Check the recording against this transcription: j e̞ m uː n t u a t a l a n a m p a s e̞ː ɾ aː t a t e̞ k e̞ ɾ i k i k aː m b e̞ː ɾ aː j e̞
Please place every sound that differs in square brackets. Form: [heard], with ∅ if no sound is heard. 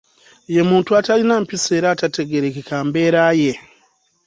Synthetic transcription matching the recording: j e̞ m uː n t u a t a l [i] n a m p [i] s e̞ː ɾ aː t a t e̞ [ɡ] e̞ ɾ [e] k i k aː m b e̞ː ɾ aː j e̞